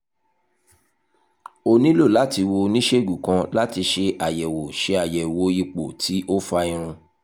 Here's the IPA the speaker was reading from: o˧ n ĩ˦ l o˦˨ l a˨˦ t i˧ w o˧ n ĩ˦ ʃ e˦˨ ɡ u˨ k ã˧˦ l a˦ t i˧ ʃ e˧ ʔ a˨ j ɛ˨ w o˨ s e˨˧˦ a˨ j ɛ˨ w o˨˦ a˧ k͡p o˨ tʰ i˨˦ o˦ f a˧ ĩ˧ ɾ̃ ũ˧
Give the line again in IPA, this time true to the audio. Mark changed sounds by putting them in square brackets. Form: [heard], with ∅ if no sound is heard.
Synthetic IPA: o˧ n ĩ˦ l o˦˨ l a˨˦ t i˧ w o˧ n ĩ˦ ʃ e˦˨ ɡ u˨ k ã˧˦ l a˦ t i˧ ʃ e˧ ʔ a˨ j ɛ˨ w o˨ [ʃ] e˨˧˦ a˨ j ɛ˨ w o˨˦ [i˧] k͡p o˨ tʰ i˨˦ o˦ f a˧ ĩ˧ ɾ̃ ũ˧